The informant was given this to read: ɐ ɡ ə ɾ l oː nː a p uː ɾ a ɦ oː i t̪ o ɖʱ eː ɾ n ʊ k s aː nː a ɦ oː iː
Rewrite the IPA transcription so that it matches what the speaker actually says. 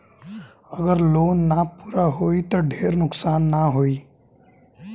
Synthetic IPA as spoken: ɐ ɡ ə ɾ l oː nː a p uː ɾ a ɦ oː i t̪ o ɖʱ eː ɾ n ʊ k s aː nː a ɦ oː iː